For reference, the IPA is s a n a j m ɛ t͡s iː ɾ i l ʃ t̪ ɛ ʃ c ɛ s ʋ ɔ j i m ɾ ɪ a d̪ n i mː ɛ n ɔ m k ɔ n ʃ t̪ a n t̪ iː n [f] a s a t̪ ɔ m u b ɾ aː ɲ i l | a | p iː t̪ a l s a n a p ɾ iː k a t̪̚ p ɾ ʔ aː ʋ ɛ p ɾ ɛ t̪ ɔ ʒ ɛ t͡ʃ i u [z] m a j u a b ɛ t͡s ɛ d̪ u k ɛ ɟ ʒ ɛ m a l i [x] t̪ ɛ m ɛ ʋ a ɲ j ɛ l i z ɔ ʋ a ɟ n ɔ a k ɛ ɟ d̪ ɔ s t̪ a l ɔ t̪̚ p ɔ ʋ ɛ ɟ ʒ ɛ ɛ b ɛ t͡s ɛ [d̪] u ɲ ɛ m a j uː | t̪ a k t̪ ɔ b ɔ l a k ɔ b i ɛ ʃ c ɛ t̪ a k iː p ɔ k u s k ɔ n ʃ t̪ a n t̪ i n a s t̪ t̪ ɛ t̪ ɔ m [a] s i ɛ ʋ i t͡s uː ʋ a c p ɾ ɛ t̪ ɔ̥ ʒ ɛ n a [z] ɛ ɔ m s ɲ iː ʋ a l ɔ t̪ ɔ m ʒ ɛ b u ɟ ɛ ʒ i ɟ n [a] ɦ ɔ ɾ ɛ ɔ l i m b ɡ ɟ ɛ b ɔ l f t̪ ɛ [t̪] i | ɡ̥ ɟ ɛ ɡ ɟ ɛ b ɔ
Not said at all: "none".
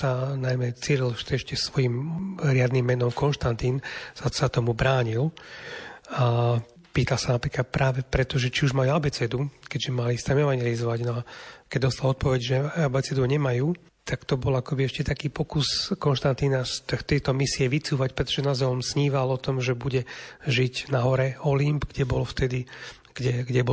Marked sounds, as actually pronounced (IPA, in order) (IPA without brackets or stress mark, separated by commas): s, ʒ, s, d̪, i, z, a, d̪